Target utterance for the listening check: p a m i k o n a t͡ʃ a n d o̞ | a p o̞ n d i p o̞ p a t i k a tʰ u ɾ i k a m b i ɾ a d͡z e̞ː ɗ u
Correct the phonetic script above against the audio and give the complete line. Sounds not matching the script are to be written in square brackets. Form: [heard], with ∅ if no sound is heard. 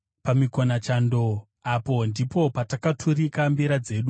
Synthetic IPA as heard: p a m i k o n a t͡ʃ a n d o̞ | a p o̞ n d i p o̞ p a t [a] k a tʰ u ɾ i k a m b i ɾ a d͡z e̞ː ɗ u